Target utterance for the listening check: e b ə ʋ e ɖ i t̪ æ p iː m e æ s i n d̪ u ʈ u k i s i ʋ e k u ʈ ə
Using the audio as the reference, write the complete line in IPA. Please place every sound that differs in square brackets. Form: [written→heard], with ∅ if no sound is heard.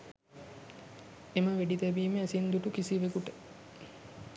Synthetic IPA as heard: e [b→m] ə ʋ e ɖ i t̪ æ [p→b] iː m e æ s i n d̪ u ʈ u k i s i ʋ e k u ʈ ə